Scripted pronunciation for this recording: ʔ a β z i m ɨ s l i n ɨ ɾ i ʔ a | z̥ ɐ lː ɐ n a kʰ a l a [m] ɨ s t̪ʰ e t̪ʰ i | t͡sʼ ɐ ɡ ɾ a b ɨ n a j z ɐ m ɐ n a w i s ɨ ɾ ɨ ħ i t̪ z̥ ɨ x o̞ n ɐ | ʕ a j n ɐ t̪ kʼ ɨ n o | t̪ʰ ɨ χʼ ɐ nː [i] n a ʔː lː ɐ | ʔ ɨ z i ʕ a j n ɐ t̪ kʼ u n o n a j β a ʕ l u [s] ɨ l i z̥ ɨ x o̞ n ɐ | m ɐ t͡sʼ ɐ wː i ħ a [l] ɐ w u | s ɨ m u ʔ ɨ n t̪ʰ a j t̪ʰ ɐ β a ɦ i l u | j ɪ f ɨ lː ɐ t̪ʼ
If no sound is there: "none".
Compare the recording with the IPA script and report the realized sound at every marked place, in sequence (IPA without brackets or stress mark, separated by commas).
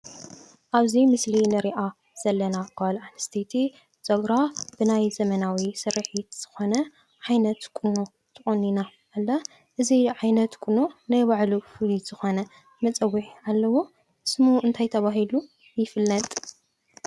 n, i, f, lː